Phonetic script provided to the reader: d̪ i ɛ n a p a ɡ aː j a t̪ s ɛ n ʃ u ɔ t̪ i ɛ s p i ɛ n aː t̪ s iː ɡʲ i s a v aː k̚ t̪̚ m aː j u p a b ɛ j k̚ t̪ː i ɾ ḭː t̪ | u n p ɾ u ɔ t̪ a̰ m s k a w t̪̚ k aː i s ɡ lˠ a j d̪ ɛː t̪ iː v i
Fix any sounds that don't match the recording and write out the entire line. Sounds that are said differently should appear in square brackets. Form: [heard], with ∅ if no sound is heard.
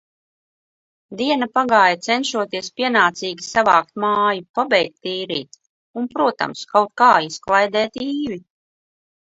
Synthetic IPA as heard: d̪ i ɛ n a p a ɡ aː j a t̪ s ɛ n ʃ u ɔ t̪ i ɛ s p i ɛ n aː t̪ s iː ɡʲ i s a v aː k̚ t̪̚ m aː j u p a b ɛ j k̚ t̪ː [iː] ɾ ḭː t̪ | u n p ɾ u ɔ t̪ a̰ m s k a w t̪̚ k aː i s [k] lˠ a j d̪ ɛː t̪ iː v i